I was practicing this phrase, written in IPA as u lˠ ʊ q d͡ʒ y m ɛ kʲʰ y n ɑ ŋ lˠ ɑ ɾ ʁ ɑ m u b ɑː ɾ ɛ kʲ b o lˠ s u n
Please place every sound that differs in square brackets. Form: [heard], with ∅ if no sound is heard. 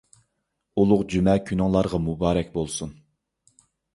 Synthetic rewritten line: u lˠ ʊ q d͡ʒ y m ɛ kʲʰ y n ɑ ŋ lˠ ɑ ɾ ʁ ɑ m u b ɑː ɾ ɛ kʲ b o lˠ s u n